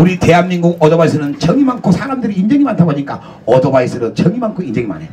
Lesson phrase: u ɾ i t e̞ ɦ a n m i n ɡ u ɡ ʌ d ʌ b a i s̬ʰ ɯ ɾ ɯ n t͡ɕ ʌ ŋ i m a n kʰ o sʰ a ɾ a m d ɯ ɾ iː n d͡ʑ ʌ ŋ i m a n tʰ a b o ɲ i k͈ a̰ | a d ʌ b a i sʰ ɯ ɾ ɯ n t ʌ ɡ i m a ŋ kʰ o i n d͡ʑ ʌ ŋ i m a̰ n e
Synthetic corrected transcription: u ɾ i t e̞ ɦ a n m i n ɡ u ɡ ʌ d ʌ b a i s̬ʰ ɯ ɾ ɯ n t͡ɕ ʌ ŋ i m a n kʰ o sʰ a ɾ a m d ɯ ɾ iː n d͡ʑ ʌ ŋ i m a n tʰ a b o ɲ i k͈ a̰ | ʌ d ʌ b a i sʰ ɯ ɾ ɯ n t͡ɕ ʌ ŋ i m a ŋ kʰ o i n d͡ʑ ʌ ŋ i m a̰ n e